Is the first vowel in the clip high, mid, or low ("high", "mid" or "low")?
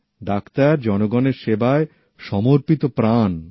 low